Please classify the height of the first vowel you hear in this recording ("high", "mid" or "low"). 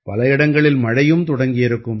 low